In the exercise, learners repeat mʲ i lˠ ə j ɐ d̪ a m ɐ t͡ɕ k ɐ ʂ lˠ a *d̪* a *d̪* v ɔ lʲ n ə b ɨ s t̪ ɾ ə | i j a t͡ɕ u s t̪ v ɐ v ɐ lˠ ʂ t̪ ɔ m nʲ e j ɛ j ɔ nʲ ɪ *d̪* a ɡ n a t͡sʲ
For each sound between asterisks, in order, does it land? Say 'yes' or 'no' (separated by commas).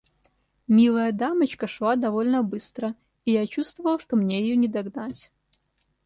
yes, no, yes